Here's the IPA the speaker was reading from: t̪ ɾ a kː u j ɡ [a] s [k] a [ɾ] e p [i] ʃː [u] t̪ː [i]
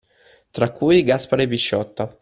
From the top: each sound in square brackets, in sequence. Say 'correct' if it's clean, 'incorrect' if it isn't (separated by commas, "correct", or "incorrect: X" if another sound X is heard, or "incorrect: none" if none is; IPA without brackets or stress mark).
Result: correct, incorrect: p, correct, correct, incorrect: ɔ, incorrect: a